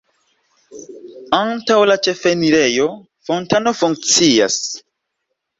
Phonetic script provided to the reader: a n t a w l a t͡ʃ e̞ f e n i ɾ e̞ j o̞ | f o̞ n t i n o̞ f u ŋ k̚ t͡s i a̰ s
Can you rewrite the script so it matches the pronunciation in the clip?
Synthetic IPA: a n t a w l a t͡ʃ e̞ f e n i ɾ e̞ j o̞ | f o̞ n t a n o̞ f u ŋ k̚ t͡s i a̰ s